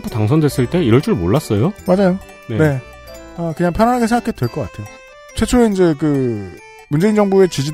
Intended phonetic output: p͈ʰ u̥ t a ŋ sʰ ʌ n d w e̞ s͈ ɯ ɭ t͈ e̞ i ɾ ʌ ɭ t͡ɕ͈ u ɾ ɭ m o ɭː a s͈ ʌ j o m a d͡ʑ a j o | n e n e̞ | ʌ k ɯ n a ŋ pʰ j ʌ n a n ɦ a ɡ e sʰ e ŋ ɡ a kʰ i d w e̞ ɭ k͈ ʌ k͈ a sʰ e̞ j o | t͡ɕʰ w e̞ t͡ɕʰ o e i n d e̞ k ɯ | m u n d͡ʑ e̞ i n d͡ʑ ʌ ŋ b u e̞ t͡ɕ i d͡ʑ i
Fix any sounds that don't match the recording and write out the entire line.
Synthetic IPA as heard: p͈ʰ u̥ t a ŋ sʰ ʌ n d w e̞ s͈ ɯ ɭ t͈ e̞ i ɾ ʌ ɭ t͡ɕ͈ u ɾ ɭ m o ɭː a s͈ ʌ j o m a d͡ʑ a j o | n e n e̞ | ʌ k ɯ ɲ a ŋ pʰ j ʌ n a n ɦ a ɡ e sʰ e ŋ ɡ a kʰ e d w e̞ ɭ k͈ ʌ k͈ a tʰ e̞ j o | t͡ɕʰ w e̞ t͡ɕʰ o e i n d͡ʑ e̞ k ɯ | m u n d͡ʑ e̞ i n d͡ʑ ʌ ŋ b u e̞ t͡ɕ i d͡ʑ i